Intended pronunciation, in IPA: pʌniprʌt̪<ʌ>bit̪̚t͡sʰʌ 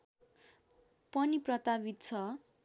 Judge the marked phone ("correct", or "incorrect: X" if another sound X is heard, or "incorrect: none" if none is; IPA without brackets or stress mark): incorrect: a